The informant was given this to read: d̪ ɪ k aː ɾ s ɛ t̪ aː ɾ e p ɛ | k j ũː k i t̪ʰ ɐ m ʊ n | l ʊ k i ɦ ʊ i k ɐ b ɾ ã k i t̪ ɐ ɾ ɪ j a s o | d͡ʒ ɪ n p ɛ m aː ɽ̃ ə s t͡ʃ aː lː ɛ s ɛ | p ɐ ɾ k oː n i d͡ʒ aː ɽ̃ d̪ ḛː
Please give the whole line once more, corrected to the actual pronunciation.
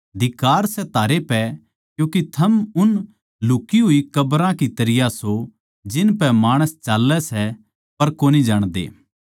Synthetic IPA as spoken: d̪ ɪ k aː ɾ s ɛ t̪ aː ɾ e p ɛ | k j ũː k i t̪ʰ ɐ m ʊ n | l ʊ k i ɦ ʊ i k ɐ b ɾ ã k i t̪ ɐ ɾ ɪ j a s o | d͡ʒ ɪ n p ɛ m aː ɽ̃ ə s t͡ʃ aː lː ɛ s ɛ | p ɐ ɾ k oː n i d͡ʒ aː ɽ̃ d̪ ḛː